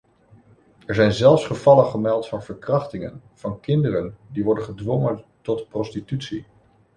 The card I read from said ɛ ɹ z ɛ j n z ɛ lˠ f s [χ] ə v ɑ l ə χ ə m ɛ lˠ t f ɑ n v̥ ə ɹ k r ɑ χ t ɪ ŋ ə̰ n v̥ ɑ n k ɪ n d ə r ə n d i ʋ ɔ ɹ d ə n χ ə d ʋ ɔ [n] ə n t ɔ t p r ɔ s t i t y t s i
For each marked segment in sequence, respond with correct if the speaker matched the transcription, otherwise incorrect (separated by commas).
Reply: correct, incorrect